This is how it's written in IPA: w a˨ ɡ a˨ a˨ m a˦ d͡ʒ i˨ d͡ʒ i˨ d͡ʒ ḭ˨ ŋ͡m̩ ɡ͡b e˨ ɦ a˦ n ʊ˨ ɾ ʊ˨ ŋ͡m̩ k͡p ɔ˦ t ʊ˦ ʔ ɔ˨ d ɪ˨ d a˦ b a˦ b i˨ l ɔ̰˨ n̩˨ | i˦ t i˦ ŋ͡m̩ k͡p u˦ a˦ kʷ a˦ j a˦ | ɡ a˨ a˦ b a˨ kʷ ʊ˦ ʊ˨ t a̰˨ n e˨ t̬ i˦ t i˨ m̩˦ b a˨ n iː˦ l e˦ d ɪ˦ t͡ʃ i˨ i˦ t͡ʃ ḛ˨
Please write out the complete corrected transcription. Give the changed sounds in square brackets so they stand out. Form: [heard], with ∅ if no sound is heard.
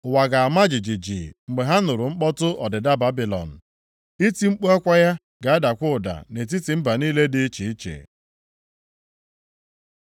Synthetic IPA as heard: w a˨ ɡ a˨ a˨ m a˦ d͡ʒ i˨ d͡ʒ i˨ d͡ʒ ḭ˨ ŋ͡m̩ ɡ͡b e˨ ɦ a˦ n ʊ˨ ɾ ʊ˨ ŋ͡m̩ k͡p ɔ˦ t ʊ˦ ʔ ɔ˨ d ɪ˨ d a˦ b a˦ b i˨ l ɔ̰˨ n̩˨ | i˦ t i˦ ŋ͡m̩ k͡p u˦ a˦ kʷ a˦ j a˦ | ɡ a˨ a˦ [d] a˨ kʷ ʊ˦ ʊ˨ [d] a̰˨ n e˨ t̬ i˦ t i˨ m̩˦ b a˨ n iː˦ l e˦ d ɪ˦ t͡ʃ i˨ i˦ t͡ʃ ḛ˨